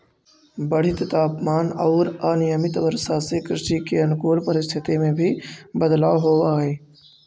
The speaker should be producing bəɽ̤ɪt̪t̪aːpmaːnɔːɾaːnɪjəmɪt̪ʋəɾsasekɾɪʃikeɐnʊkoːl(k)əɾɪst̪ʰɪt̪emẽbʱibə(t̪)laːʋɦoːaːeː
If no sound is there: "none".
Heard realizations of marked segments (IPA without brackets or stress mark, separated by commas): p, d̪